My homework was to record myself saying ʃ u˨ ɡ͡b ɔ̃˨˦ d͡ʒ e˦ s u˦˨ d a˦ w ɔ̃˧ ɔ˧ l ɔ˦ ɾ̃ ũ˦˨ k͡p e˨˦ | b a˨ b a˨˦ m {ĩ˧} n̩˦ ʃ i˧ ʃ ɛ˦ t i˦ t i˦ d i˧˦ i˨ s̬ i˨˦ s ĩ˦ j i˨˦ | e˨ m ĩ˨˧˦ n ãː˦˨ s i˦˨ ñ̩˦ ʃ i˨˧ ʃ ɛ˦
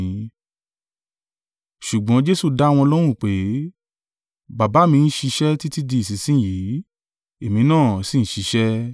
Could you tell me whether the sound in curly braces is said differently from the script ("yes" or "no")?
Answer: no